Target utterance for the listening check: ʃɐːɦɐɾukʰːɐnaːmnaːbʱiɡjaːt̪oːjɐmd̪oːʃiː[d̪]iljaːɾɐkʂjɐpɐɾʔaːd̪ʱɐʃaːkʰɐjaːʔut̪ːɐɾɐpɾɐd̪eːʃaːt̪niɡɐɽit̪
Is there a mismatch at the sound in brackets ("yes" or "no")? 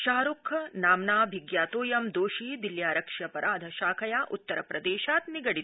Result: no